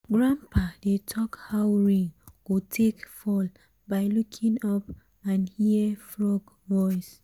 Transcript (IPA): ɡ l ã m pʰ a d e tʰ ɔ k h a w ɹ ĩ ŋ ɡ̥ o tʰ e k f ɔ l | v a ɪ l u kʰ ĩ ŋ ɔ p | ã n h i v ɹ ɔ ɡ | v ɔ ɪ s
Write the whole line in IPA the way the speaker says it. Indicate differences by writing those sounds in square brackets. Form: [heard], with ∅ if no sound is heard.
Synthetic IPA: ɡ [ɹ] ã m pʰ a d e tʰ ɔ k h a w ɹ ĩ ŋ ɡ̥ o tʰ e k f ɔ l | [b] a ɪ l u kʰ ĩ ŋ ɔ p | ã n h i [f] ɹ ɔ ɡ | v ɔ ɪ s